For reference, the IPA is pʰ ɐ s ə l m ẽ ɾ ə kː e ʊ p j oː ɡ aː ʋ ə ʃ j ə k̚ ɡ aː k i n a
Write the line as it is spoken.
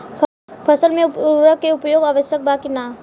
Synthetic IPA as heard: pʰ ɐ s ə l m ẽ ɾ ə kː e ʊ p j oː ɡ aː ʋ ə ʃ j ə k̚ b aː k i n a